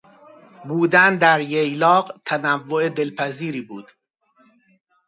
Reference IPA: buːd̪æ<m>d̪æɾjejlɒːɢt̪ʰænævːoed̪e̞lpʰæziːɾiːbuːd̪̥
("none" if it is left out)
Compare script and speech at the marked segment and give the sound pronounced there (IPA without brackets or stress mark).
n